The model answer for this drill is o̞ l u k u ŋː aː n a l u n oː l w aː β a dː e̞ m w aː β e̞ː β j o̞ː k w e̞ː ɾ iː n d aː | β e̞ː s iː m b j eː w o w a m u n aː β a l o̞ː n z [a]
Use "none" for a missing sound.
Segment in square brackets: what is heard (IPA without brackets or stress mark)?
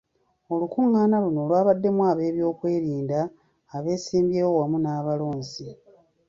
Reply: i